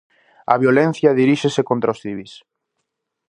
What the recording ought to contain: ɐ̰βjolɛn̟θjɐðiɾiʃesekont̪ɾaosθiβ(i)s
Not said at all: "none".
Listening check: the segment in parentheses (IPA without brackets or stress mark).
i